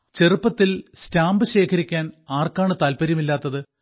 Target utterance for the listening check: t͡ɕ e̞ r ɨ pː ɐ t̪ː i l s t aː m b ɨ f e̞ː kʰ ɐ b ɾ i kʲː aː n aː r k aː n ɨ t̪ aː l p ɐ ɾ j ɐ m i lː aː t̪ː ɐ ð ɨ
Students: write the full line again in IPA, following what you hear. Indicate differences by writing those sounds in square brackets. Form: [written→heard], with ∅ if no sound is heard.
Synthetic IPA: t͡ɕ e̞ r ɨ pː ɐ t̪ː i l s t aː m b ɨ [f→ɕ] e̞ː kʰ ɐ [b→∅] ɾ i kʲː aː n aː r k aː [n→ɳ] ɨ t̪ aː l p ɐ ɾ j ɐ m i lː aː t̪ː ɐ ð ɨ